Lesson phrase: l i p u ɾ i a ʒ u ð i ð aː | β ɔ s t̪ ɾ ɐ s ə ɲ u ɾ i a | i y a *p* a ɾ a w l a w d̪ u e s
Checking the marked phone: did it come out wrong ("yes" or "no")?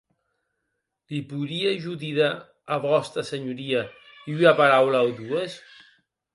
no